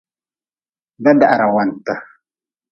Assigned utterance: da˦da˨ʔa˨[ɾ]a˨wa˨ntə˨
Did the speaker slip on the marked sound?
no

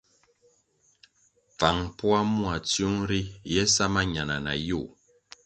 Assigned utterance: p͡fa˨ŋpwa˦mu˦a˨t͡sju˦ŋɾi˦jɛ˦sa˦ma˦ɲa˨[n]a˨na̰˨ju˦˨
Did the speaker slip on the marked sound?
no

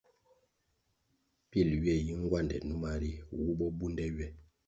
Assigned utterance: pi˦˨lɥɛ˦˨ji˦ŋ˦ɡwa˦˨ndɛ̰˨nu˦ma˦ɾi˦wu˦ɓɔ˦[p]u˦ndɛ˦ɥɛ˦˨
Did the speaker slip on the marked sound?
yes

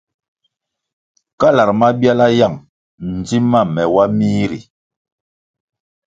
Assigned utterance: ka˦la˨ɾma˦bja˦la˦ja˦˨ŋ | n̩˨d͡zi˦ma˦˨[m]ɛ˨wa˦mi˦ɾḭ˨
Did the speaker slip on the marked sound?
no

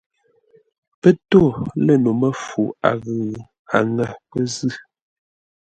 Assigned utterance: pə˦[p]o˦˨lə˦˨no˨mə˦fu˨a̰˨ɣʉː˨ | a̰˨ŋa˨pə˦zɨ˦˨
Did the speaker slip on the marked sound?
yes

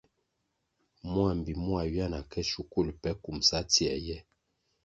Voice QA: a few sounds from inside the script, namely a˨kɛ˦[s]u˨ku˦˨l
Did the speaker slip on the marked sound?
yes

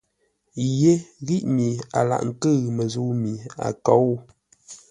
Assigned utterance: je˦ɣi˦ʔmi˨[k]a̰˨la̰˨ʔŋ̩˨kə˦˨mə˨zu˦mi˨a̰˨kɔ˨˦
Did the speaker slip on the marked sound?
yes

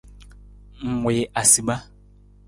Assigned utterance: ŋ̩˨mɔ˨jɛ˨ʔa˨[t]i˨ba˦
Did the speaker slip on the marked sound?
yes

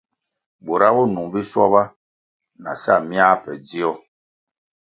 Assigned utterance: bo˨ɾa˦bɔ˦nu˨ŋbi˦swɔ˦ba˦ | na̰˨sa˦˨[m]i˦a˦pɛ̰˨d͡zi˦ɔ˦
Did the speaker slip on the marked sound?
no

